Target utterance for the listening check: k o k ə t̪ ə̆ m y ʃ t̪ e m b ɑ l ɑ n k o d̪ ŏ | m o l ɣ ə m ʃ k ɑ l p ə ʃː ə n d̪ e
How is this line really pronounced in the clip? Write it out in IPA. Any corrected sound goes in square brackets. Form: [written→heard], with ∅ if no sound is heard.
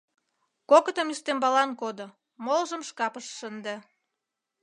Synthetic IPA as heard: k o k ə t̪ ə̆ m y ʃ t̪ e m b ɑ l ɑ n k o d̪ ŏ | m o l [ɣ→ʒ] ə m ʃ k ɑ [l→∅] p ə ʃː ə n d̪ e